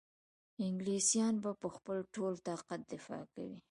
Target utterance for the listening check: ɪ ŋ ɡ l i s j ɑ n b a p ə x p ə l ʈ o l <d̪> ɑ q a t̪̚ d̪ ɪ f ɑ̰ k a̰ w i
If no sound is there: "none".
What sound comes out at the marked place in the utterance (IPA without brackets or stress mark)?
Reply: t̪